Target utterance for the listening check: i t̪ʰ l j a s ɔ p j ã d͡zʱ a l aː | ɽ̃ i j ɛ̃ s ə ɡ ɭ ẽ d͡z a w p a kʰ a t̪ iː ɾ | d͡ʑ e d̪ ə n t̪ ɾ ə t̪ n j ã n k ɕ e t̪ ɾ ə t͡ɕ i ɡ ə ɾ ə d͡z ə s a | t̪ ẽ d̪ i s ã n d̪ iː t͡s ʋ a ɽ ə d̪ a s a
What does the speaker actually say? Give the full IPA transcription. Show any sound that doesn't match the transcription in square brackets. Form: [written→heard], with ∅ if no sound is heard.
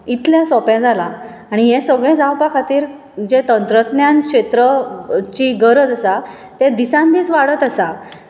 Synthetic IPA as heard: i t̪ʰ l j a s ɔ p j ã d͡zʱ a l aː | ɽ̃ i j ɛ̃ s ə ɡ ɭ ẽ d͡z a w p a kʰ a t̪ iː ɾ | d͡ʑ e [d̪→t̪] ə n t̪ ɾ ə t̪ n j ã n k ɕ e t̪ ɾ ə t͡ɕ i ɡ ə ɾ ə d͡z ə s a | t̪ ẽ d̪ i s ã n d̪ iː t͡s ʋ a ɽ ə [d̪→t̪] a s a